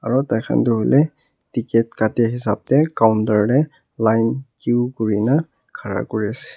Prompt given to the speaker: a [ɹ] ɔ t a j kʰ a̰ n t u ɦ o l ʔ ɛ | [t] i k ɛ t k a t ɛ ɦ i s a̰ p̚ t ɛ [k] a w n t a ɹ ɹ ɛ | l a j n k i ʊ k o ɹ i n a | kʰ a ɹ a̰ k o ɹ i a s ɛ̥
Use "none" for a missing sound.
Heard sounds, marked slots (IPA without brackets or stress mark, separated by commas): ɹ, t, k